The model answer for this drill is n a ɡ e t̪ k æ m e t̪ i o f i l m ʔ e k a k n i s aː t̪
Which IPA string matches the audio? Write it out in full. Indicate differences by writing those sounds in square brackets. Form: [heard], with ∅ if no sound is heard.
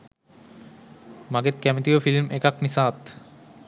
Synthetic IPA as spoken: [m] a ɡ e t̪ k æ m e t̪ i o f i l m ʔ e k a k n i s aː t̪